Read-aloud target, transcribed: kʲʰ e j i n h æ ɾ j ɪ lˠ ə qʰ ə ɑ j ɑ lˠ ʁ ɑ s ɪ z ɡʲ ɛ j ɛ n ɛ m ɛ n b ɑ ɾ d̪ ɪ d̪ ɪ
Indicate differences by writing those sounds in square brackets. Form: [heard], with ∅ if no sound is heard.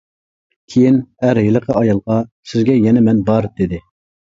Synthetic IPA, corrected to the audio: kʲʰ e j i n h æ ɾ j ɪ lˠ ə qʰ ə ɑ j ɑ lˠ ʁ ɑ s ɪ z ɡʲ ɛ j ɛ n ɛ m ɛ n b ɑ ɾ d̪ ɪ d̪ ɪ